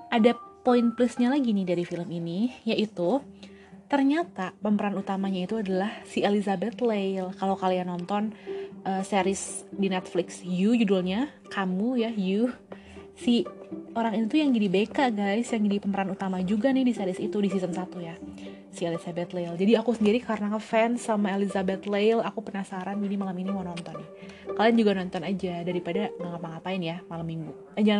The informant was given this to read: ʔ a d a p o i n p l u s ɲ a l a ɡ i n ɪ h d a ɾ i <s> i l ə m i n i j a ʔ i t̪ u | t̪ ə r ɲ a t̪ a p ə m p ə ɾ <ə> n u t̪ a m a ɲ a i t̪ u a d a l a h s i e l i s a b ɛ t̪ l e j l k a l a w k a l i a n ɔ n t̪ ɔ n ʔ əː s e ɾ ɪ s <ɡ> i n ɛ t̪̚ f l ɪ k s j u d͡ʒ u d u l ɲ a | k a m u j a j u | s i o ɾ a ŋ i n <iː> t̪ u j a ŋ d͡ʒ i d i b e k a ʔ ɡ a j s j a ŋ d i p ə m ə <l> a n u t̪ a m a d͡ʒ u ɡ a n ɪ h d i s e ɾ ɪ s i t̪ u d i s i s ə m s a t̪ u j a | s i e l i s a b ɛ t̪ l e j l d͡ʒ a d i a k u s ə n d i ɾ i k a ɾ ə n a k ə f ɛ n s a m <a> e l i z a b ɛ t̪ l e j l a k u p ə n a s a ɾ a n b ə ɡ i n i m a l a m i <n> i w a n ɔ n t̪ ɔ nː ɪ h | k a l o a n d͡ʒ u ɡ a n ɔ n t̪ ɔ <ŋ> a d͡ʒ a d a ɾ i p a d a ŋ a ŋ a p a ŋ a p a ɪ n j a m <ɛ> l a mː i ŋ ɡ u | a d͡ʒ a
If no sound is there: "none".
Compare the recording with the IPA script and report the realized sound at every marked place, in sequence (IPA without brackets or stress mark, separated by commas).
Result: f, a, d, i, ɾ, a, n, n, a